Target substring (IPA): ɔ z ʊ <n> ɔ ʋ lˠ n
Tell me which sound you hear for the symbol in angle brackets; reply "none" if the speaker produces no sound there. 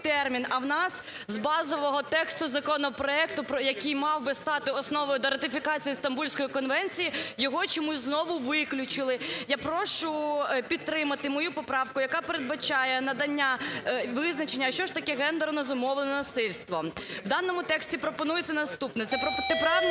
m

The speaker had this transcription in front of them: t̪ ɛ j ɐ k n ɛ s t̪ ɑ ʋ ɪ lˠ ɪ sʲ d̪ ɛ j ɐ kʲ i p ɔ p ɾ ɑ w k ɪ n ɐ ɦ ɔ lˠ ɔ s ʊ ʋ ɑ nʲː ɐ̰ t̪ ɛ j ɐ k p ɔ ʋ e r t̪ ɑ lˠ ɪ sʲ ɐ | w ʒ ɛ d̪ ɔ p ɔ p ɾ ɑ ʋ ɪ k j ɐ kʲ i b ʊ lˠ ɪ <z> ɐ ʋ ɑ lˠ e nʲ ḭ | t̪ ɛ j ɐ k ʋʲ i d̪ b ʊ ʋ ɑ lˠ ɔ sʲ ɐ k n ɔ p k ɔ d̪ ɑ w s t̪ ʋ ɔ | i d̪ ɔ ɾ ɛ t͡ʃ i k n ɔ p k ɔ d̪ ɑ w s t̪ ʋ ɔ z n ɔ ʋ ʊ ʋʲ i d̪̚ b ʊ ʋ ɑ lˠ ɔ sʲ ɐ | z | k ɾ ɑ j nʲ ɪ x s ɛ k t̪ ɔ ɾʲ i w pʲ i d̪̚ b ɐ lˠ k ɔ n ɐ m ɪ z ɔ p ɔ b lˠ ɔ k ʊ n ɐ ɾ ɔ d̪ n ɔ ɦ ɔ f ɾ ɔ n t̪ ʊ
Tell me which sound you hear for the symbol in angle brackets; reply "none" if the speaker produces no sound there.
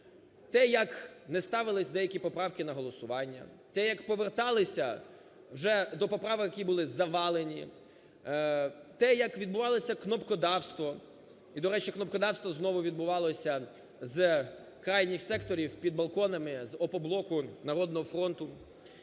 z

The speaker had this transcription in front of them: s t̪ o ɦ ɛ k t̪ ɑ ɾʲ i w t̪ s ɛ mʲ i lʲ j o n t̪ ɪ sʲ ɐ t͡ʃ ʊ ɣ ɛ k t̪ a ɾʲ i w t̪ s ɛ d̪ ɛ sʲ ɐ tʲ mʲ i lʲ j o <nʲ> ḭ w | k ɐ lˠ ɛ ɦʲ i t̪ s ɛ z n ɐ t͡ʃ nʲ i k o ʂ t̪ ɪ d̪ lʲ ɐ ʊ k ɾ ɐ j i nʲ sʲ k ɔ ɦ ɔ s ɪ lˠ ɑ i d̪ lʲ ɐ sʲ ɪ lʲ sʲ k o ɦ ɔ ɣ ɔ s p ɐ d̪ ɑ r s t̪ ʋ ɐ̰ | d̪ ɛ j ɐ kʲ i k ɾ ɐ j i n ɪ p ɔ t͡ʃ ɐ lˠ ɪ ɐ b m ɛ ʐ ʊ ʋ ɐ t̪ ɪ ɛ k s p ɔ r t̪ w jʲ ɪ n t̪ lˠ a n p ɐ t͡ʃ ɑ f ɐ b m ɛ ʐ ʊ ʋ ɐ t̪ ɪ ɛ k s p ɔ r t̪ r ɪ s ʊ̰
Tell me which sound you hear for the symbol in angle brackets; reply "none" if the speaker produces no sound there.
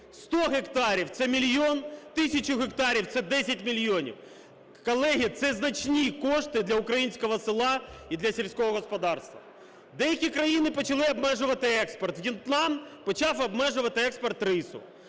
nʲ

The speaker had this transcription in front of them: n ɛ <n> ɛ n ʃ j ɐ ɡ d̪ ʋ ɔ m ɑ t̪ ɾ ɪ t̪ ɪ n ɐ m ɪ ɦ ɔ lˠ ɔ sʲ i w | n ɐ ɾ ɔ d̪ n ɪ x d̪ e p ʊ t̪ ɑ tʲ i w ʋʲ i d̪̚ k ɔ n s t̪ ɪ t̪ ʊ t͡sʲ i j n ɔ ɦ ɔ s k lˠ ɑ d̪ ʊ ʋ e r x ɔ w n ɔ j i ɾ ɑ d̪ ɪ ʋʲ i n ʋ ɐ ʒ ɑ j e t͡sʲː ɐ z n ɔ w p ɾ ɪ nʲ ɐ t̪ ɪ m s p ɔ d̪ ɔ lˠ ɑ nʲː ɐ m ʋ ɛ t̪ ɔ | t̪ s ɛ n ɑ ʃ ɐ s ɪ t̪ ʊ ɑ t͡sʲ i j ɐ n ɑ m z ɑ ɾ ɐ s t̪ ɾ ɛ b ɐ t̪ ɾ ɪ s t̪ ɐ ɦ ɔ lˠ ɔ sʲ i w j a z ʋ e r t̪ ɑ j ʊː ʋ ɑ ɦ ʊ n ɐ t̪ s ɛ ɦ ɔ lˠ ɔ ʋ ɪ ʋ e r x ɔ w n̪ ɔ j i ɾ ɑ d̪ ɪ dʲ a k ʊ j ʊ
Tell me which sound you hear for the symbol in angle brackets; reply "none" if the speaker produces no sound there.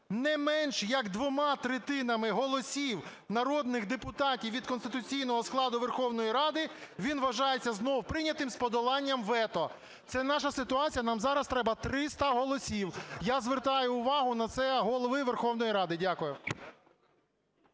m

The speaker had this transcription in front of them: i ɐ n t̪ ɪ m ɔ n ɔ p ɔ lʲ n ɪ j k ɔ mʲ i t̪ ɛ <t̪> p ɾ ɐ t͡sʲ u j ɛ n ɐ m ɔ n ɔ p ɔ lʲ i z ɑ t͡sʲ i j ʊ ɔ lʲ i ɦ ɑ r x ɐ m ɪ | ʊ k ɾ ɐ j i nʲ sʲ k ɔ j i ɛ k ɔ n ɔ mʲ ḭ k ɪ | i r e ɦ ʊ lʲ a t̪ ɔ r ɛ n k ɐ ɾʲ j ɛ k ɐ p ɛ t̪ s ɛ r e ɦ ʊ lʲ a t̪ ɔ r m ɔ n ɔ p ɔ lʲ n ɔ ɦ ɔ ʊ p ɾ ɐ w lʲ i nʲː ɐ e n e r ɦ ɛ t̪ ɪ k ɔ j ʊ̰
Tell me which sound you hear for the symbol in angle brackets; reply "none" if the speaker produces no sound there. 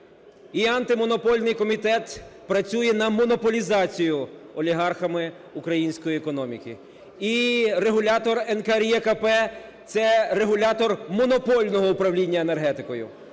t̪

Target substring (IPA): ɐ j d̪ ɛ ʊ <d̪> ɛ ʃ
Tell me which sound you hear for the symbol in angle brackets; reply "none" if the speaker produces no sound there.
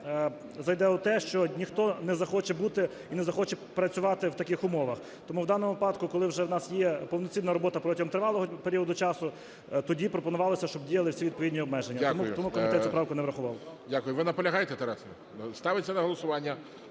t̪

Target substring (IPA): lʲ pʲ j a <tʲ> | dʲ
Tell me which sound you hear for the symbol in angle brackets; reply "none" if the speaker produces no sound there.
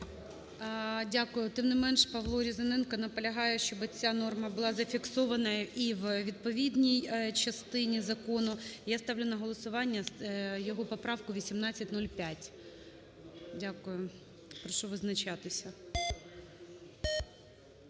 tʲ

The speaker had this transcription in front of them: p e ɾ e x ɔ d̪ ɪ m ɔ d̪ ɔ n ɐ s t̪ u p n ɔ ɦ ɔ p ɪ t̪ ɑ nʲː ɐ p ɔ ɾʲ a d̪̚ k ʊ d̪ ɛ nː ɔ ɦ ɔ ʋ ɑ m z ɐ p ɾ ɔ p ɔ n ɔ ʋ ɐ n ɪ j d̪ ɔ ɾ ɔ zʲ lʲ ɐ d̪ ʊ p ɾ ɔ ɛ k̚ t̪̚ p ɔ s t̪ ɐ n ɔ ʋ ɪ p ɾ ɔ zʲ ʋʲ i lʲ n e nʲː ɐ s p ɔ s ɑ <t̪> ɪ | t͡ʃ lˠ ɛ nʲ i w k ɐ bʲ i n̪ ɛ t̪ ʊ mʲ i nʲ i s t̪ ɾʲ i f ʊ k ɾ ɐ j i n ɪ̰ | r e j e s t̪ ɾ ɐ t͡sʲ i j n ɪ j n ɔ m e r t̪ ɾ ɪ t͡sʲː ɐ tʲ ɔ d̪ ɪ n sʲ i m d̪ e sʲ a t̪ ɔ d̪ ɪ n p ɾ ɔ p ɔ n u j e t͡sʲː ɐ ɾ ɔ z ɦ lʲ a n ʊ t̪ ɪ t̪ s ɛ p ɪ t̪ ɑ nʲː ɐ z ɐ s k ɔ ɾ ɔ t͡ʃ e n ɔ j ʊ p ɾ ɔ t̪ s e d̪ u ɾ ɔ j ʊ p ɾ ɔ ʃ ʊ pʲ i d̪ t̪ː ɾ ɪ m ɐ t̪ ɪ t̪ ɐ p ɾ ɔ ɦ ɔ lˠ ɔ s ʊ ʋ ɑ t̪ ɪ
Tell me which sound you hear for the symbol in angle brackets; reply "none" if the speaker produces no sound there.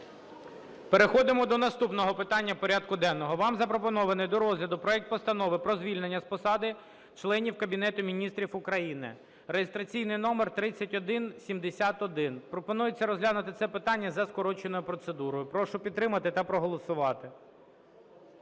d̪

